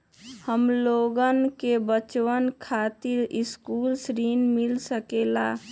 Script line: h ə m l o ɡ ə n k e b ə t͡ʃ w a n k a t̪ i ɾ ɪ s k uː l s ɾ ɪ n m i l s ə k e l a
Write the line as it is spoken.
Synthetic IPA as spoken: h ə m l o ɡ ə n k e b ə t͡ʃ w ə n kʰ a t̪ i ɾ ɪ s k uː l s ɾ i n m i l s ə k e l a